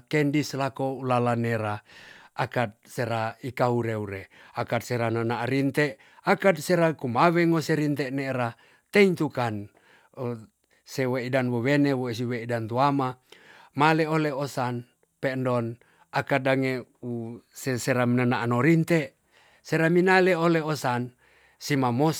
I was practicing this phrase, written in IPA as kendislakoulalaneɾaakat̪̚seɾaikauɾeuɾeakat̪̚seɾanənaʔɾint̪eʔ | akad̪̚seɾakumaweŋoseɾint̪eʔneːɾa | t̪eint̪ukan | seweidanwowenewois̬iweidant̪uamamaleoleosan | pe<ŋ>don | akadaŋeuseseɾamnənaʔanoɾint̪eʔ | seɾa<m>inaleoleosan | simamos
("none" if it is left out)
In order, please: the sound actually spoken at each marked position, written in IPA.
n, m

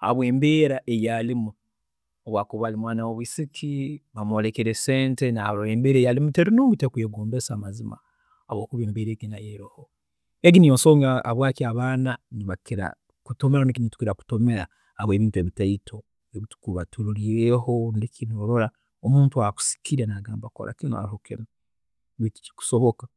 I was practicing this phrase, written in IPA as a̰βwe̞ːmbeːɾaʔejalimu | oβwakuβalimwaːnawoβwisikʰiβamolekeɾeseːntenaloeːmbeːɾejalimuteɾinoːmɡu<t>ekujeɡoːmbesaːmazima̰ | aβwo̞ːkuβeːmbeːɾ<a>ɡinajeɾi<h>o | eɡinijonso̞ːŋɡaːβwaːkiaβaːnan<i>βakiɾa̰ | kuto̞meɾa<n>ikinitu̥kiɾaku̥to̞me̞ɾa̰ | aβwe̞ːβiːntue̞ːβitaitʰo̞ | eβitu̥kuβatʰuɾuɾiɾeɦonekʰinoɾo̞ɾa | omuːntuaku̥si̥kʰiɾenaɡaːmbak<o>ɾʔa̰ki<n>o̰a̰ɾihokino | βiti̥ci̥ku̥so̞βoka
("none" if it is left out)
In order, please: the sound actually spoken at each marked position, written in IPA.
t, e, h, i, n, o, n

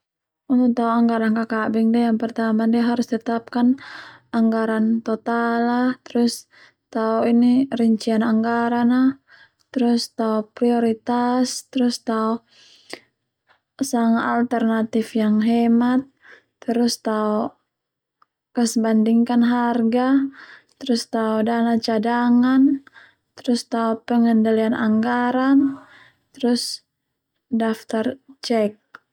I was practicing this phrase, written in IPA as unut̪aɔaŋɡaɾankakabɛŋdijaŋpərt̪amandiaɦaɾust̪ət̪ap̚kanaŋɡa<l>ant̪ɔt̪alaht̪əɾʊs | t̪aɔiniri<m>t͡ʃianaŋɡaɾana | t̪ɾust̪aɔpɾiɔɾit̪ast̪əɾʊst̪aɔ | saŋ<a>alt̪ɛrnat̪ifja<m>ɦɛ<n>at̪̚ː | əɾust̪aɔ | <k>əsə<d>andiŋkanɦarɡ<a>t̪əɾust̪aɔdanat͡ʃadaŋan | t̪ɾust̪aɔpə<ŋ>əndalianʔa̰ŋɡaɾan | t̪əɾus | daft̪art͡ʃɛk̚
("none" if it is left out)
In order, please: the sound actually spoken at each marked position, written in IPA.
ɾ, ɲ, a, ŋ, m, k, b, a, ŋ

